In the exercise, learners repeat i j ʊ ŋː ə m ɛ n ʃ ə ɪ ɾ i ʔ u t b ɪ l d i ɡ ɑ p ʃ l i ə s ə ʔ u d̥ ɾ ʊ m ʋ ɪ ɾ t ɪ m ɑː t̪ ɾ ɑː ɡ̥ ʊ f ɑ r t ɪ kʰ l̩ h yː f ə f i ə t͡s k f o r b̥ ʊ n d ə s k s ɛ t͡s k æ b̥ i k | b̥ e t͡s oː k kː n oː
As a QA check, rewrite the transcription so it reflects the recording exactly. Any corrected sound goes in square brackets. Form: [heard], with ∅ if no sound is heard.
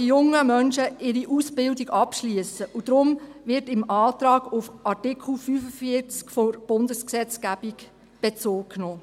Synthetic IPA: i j ʊ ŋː ə m [œ] n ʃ ə ɪ ɾ i ʔ u [s] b ɪ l d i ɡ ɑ p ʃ l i ə s ə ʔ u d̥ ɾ ʊ m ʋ ɪ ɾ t ɪ m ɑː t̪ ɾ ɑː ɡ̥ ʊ f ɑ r t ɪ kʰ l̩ [f] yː f ə f i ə t͡s k f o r b̥ ʊ n d ə s k s ɛ t͡s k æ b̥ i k | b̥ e t͡s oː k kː n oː